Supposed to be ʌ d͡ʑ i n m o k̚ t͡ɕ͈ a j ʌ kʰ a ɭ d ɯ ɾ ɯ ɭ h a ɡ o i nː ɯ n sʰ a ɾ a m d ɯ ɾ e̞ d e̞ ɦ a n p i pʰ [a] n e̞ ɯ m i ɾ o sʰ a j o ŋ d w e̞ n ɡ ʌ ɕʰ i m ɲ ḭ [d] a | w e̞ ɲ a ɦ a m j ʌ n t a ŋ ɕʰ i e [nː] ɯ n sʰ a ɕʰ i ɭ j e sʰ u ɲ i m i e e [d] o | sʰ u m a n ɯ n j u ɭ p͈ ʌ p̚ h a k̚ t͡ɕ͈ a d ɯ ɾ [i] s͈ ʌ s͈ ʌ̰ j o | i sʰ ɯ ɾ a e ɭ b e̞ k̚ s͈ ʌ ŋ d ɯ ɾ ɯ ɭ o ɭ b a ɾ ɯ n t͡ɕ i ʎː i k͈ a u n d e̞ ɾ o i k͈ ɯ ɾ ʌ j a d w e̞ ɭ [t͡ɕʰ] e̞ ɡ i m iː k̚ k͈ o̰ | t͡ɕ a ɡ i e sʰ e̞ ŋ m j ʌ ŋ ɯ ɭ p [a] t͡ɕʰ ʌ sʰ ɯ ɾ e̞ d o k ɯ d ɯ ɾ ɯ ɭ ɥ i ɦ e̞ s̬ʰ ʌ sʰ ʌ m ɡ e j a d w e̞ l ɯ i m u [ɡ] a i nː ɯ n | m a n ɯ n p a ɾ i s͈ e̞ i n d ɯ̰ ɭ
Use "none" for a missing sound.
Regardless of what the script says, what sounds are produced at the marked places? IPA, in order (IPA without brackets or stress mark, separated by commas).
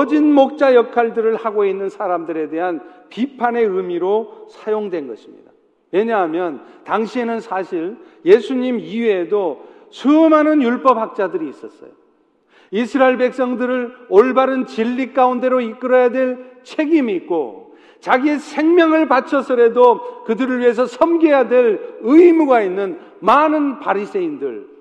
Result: a, d, n, d, iː, t͡ɕʰ, a, ɡ